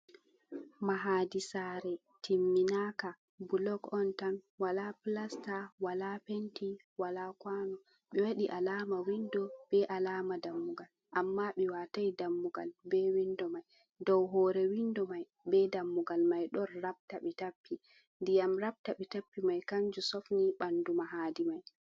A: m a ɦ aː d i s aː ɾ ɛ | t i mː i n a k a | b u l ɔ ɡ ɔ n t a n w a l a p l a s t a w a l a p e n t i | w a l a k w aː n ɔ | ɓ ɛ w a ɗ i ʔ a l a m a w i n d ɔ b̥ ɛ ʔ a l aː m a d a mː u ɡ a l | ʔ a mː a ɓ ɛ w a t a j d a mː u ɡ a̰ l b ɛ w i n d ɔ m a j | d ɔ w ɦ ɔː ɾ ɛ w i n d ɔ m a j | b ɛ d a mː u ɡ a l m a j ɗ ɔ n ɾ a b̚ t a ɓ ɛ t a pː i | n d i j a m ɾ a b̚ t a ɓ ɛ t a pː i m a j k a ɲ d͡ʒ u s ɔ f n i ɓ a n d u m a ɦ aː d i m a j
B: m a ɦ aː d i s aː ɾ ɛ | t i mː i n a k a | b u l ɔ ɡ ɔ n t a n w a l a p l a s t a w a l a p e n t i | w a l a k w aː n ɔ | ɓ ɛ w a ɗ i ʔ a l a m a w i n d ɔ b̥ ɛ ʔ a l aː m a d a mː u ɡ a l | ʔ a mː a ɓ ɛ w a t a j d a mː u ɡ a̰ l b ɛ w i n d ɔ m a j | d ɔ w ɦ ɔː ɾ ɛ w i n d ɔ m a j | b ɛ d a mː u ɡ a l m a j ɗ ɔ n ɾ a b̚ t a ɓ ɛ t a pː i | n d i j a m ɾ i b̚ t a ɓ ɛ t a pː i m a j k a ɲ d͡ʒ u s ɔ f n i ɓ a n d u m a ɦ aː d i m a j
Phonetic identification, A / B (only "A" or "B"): A